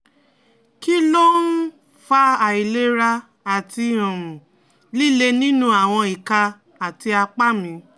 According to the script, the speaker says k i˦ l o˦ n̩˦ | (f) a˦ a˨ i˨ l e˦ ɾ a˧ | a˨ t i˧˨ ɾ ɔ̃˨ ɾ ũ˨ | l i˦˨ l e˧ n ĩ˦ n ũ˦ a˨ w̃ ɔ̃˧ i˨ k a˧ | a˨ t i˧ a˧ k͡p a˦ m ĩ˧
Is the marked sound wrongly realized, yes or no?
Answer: no